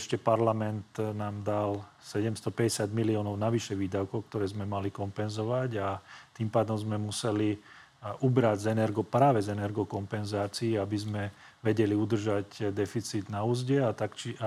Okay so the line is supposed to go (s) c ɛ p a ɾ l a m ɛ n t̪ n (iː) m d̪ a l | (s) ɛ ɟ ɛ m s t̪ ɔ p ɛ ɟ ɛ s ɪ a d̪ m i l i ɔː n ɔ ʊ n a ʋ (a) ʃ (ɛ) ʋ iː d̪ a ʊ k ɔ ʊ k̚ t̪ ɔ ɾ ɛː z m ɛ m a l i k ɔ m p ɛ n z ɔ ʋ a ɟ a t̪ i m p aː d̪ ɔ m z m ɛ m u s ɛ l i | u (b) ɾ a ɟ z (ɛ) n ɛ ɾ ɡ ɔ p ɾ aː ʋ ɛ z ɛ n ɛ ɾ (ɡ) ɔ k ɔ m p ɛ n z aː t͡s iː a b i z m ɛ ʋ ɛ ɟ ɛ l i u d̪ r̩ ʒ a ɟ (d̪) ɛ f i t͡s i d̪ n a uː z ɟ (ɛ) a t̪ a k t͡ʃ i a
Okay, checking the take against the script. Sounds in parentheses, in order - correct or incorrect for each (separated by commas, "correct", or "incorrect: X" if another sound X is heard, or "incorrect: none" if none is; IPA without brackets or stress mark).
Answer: incorrect: ʃ, incorrect: aː, correct, incorrect: i, correct, correct, correct, correct, correct, correct